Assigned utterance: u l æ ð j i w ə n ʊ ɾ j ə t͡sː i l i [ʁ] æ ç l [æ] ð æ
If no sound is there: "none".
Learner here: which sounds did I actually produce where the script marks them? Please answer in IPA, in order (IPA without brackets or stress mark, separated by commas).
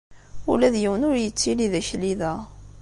ð, i